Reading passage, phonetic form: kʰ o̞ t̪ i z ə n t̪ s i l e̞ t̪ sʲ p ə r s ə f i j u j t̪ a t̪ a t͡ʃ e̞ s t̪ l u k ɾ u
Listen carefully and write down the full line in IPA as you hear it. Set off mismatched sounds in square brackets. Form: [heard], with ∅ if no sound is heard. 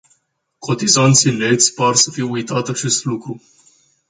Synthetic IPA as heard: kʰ o̞ t̪ i z [a] n t̪ s i l e̞ t̪ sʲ p [a] r s ə f i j u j t̪ a t̪ a t͡ʃ e̞ s t̪ l u k ɾ u